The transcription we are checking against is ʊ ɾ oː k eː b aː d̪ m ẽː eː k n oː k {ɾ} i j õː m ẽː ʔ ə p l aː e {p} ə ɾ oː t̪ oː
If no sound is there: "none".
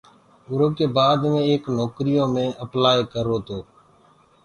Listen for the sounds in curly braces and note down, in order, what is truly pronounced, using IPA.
ɾ, k

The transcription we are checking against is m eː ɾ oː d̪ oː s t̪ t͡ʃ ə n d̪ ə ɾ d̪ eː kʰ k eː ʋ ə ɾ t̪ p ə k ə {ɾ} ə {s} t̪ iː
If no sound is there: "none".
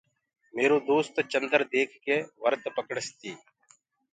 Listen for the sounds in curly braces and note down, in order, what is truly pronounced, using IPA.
ɽ, s

